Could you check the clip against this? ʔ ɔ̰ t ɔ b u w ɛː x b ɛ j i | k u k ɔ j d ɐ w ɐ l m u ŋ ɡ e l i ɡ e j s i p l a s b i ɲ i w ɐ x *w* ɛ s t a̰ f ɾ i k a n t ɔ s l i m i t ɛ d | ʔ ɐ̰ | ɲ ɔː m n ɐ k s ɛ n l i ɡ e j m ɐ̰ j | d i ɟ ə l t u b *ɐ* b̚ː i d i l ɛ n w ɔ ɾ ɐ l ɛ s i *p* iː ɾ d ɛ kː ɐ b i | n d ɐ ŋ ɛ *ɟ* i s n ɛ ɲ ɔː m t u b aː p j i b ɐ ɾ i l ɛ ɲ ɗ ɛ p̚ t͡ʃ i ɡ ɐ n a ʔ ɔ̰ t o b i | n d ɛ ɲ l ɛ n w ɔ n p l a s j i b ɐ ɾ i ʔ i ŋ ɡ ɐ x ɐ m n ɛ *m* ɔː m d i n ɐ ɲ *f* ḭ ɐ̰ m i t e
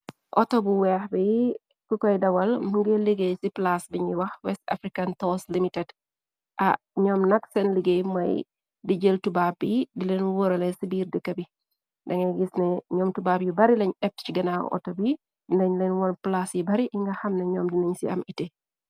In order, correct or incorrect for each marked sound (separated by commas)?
correct, incorrect, incorrect, incorrect, incorrect, incorrect